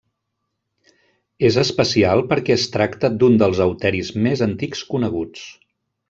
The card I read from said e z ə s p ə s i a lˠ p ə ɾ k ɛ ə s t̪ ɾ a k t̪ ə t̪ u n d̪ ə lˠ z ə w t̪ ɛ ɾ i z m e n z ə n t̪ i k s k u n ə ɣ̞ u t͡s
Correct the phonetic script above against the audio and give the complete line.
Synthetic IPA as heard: e z ə s p ə s i a lˠ p ə ɾ k ɛ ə s t̪ ɾ a k t̪ ə d̪ u n d̪ ə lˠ z ə w t̪ ɛ ɾ i z m e z ə n t̪ i k s k u n ə ɣ̞ u t͡s